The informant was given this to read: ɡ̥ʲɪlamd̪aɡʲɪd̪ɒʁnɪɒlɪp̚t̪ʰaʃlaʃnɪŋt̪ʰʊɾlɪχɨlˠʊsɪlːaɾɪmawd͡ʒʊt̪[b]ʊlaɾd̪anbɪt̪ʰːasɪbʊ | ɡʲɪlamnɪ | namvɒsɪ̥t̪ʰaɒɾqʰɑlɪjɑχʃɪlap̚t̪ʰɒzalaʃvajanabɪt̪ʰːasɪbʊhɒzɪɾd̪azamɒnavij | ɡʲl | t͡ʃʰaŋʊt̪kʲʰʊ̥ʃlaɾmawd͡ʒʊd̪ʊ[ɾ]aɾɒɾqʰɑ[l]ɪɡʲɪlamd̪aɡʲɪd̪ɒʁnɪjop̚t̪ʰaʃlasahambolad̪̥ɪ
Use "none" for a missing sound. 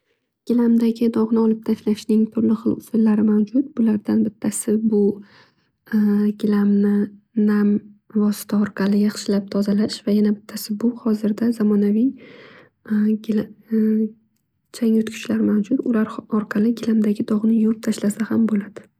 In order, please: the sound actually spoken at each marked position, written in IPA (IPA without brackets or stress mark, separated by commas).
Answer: b, l, l